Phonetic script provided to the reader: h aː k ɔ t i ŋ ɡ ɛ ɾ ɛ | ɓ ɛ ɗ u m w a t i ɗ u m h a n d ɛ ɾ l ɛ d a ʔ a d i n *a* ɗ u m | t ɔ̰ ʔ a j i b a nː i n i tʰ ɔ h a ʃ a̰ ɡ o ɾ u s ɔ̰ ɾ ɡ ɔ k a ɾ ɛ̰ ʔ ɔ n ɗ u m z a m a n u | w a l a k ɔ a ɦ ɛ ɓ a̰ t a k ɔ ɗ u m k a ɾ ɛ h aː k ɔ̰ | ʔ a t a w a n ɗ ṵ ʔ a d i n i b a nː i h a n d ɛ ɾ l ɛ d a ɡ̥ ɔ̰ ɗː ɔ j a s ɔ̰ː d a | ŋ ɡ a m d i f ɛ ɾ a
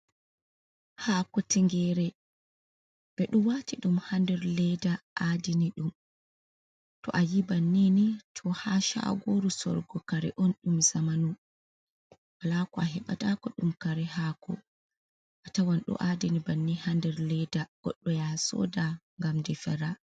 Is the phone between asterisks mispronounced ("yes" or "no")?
yes